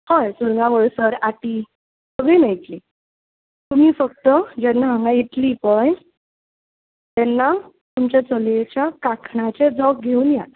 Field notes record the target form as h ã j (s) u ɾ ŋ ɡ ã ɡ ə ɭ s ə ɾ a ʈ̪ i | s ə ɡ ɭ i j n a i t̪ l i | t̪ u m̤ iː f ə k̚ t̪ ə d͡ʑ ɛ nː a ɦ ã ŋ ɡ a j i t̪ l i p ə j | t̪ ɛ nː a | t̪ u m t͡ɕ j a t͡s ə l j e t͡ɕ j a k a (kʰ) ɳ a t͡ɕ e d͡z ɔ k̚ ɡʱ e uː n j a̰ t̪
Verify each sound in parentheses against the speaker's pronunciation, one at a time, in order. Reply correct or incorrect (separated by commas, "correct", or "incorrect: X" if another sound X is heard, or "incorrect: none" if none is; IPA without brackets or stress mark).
correct, correct